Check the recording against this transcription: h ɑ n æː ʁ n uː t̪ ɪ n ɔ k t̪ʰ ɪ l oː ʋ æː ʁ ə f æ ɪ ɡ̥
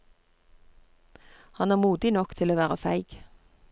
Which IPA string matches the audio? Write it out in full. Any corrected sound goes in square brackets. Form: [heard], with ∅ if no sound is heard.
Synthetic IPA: h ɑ n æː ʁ [m] uː [d̪] ɪ n ɔ k t̪ʰ ɪ l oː ʋ æː ʁ ə f æ ɪ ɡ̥